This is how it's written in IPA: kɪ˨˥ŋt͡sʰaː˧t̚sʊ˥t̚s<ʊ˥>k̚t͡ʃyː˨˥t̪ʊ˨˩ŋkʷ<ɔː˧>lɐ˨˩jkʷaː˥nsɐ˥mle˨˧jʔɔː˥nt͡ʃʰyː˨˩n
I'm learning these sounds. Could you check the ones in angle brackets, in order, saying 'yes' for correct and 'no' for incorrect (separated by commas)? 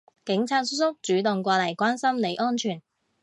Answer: yes, yes